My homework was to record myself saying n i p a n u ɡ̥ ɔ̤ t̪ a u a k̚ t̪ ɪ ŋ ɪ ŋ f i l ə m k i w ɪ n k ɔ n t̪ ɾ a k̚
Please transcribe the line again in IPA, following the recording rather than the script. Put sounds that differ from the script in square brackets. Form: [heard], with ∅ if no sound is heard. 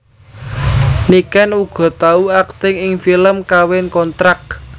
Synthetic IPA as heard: n i [k] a n u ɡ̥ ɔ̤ t̪ a u a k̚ t̪ ɪ ŋ ɪ ŋ f i l ə m k [a] w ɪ n k ɔ n t̪ ɾ a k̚